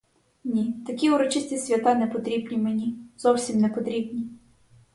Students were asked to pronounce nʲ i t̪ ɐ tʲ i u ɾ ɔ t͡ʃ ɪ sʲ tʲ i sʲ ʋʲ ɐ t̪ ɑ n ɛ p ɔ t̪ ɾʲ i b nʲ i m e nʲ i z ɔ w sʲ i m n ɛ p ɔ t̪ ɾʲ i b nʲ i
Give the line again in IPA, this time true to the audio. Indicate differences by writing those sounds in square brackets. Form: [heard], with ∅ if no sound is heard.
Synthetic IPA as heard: nʲ i t̪ ɐ [kʲ] i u ɾ ɔ t͡ʃ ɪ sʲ tʲ i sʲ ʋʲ ɐ t̪ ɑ n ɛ p ɔ t̪ ɾʲ i b nʲ i m e nʲ i z ɔ w sʲ i m n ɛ p ɔ t̪ ɾʲ i b nʲ i

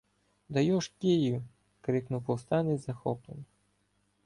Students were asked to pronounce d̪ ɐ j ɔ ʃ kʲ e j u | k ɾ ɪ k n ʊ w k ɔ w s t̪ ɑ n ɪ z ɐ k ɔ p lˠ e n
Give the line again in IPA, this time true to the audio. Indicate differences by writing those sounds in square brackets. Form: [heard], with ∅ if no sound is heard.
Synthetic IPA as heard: d̪ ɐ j ɔ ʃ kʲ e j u | k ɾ ɪ k n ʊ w [p] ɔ w s t̪ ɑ n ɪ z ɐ [x] ɔ p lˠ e n

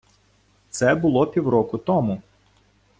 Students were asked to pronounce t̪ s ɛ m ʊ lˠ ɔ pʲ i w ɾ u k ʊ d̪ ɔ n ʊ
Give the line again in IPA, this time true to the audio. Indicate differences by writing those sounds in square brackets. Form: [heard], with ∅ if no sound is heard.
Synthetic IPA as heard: t̪ s ɛ [b] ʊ lˠ ɔ pʲ i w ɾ [ɔ] k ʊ [t̪] ɔ [m] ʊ

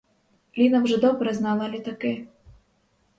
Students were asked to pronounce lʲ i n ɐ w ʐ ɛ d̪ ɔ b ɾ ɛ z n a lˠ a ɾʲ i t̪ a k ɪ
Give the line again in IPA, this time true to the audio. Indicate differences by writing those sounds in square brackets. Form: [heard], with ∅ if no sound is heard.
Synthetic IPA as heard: lʲ i n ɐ w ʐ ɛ d̪ ɔ b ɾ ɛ z n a lˠ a [lʲ] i t̪ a k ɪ

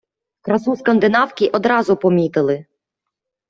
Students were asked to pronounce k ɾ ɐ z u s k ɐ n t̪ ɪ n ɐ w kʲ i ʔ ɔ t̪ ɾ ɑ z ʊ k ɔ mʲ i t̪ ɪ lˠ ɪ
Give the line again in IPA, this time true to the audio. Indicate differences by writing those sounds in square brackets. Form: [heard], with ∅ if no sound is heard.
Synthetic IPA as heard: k ɾ ɐ [s] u s k ɐ n [d̪] ɪ n [ɑ] w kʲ i ʔ ɔ [d̪] ɾ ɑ z ʊ [p] ɔ mʲ i t̪ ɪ lˠ ɪ

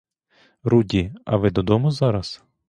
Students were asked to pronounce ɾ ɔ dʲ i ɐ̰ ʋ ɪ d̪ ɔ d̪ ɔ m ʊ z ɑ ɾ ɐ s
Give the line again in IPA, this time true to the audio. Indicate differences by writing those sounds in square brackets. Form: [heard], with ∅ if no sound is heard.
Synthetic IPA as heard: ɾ [u] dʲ i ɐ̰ ʋ ɪ d̪ ɔ d̪ ɔ m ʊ z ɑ ɾ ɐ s

